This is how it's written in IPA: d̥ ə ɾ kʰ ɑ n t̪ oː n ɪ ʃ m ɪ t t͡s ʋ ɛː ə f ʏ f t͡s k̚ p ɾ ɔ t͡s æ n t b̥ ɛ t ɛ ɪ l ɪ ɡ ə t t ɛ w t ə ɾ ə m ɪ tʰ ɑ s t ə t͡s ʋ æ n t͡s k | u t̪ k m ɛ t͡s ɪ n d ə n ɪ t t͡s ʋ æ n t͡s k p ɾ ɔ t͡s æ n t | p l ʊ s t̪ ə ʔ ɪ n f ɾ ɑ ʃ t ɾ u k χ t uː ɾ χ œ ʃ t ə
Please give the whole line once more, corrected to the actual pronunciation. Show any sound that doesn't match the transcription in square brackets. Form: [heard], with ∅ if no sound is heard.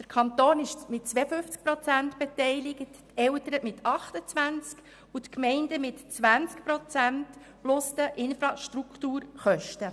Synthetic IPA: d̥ ə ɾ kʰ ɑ n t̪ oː n ɪ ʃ m ɪ t t͡s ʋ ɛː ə f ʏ f t͡s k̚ p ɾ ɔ t͡s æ n t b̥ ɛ t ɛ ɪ l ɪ ɡ ə t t ɛ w t ə ɾ ə m ɪ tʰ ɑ [χ] t ə t͡s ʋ æ n t͡s k | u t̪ k m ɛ [∅] ɪ n d ə [m] ɪ t t͡s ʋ æ n t͡s k p ɾ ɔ t͡s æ n t | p l ʊ s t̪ ə ʔ ɪ n f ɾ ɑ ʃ t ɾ u k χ t uː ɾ χ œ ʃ t ə